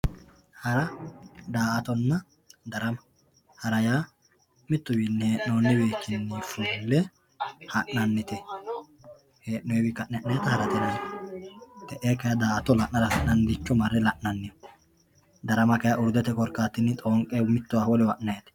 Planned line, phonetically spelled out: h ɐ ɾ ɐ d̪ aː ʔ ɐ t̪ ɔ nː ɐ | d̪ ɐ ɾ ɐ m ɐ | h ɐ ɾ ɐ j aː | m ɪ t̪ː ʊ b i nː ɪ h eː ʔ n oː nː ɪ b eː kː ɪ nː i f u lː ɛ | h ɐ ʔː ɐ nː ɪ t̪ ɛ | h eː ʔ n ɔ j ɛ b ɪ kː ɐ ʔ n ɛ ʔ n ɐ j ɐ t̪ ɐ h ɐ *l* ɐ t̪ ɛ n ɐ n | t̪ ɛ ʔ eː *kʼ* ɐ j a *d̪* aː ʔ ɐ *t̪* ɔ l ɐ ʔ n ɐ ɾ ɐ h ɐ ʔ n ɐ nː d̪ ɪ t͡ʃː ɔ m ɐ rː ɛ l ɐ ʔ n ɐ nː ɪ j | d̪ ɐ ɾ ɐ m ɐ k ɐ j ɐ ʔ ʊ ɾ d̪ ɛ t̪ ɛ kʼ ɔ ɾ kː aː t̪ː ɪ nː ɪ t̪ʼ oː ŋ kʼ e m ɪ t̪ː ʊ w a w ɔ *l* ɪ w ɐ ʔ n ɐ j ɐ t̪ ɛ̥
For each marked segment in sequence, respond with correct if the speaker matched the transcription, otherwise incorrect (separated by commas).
incorrect, incorrect, correct, correct, correct